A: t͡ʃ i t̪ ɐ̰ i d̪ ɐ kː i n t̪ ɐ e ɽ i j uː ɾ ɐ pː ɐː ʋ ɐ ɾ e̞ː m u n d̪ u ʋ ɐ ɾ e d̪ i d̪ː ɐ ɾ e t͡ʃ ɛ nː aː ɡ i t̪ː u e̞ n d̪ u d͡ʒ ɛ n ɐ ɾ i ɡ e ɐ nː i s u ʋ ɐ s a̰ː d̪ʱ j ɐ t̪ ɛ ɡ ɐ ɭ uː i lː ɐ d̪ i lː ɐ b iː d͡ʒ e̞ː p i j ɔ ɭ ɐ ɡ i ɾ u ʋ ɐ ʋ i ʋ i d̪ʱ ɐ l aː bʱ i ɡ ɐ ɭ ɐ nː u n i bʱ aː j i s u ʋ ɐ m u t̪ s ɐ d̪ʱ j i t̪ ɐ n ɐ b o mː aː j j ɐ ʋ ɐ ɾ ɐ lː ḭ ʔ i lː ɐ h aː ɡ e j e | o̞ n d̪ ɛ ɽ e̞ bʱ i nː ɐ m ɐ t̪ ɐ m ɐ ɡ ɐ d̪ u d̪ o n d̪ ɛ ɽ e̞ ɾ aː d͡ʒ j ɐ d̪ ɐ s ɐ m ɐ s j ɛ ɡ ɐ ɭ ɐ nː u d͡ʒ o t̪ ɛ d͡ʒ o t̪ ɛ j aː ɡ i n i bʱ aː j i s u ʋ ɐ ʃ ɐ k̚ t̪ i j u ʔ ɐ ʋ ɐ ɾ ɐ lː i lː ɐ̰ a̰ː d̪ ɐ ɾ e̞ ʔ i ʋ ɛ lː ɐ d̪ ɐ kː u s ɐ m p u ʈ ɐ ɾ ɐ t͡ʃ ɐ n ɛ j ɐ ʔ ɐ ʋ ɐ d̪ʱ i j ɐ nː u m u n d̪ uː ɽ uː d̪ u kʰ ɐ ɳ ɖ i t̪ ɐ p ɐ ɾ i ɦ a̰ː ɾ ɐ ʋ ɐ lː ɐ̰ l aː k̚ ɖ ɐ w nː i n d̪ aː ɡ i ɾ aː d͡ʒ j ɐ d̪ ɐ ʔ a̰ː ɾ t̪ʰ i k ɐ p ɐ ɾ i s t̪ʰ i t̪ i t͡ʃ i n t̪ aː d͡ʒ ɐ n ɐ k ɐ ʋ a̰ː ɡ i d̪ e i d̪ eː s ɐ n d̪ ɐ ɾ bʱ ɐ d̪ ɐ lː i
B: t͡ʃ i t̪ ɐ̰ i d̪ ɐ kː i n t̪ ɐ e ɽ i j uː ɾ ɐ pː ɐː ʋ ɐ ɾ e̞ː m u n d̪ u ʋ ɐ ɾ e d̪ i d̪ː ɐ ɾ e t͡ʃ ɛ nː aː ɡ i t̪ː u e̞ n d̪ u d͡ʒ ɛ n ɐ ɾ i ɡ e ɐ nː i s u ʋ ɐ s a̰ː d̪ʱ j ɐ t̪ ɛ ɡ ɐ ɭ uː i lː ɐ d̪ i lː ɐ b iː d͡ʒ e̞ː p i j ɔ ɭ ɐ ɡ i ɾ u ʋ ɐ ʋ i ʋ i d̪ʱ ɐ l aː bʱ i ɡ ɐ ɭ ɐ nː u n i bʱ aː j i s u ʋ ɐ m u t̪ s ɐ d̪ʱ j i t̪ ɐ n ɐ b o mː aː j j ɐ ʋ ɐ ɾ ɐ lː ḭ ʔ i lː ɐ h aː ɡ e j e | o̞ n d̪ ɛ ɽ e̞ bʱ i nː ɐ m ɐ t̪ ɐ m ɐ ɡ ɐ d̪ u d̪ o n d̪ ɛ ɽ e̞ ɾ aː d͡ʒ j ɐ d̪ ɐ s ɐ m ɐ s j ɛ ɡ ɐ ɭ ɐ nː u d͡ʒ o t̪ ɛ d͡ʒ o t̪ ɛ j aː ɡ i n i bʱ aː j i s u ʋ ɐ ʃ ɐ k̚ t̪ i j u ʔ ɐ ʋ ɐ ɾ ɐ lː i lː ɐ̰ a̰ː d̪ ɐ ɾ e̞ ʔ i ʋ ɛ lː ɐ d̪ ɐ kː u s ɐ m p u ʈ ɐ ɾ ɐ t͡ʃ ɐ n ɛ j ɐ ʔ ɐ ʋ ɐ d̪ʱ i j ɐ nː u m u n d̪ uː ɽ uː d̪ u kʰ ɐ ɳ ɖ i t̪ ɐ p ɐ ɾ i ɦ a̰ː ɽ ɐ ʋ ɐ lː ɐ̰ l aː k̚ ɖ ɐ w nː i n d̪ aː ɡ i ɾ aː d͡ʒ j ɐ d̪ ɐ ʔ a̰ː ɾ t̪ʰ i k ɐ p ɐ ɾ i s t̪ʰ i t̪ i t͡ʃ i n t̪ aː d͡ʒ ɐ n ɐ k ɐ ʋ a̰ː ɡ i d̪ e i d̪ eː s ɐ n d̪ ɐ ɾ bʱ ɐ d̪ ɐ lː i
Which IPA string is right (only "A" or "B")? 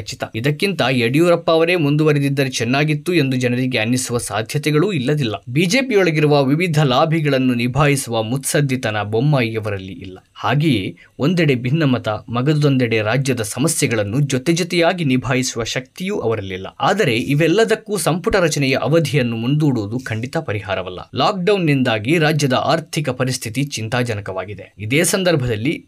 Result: A